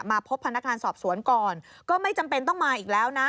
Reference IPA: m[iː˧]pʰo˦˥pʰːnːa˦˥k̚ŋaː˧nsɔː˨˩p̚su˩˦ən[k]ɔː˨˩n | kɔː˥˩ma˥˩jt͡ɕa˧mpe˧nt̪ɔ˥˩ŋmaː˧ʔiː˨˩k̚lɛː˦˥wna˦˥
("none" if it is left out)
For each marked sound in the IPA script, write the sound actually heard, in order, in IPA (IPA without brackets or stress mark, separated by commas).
aː˧, k